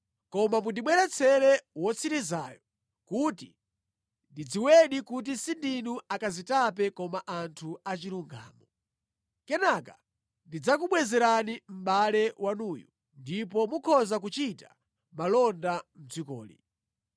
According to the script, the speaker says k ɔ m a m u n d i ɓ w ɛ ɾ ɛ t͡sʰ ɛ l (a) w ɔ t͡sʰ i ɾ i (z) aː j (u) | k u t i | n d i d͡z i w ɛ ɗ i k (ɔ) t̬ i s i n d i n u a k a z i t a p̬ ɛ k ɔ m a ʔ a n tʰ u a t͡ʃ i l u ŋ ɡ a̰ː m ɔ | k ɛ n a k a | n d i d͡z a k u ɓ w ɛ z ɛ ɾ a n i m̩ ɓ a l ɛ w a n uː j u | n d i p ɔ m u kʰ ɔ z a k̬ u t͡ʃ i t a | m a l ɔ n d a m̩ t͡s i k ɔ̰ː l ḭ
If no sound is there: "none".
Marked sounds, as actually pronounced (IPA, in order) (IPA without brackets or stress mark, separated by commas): ɛ, z, ɔ, u